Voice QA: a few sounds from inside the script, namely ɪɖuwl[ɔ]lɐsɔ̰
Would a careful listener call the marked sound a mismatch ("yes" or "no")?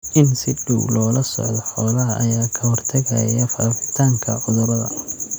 yes